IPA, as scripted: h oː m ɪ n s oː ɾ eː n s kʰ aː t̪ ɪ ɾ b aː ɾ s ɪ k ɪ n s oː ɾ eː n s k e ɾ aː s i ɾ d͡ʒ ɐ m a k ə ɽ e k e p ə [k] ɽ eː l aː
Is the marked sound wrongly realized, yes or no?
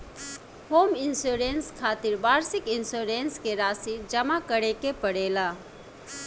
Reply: yes